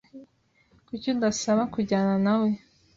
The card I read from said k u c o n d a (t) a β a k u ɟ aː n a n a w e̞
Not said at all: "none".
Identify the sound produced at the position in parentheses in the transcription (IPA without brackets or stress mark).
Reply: s